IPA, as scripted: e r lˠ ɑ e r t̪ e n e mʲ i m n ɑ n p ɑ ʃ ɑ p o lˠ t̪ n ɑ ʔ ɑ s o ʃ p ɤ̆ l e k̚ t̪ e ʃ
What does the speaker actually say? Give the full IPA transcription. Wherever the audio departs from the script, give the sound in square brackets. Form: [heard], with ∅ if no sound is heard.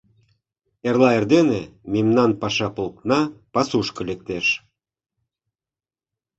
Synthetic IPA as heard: e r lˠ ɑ e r [d̪] e n e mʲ i m n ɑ n p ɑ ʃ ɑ p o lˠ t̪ n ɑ [p] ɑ s [u] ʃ [k] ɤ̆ l e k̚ t̪ e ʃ